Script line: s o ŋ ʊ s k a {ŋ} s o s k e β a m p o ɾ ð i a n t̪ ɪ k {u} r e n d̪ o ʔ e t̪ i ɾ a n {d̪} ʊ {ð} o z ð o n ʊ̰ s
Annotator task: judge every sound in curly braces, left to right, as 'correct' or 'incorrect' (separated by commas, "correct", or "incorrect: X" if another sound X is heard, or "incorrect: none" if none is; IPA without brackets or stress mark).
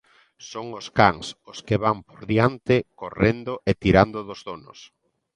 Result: correct, incorrect: o, correct, correct